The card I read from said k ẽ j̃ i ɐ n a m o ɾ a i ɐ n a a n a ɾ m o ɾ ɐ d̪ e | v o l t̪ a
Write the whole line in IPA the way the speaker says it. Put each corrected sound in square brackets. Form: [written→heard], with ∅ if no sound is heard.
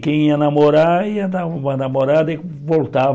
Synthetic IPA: k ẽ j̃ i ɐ n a m o ɾ a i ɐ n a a n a [ɾ→∅] m o ɾ [ɐ→a] d̪ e | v o l t̪ a